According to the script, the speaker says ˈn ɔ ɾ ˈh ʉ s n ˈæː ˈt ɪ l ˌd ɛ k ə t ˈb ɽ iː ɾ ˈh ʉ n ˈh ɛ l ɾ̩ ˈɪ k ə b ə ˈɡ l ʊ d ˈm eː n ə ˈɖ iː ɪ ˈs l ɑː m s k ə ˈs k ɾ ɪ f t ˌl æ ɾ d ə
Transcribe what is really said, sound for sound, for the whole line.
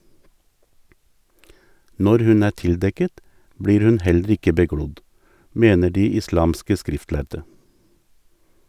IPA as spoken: ˈn ɔ ɾ ˈh ʉ n ˈæː ˈt ɪ l ˌd ɛ k ə t ˈb ɽ iː ɾ ˈh ʉ n ˈh ɛ l ɾ̩ ˈɪ k ə b ə ˈɡ ɽ ʊ d ˈm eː n ə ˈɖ iː ɪ ˈs l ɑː m s k ə ˈs k ɾ ɪ f t ˌl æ ɾ d ə